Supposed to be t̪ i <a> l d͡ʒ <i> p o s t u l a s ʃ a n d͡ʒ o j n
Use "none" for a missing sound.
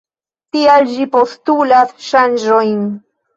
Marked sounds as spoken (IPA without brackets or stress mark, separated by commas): a, i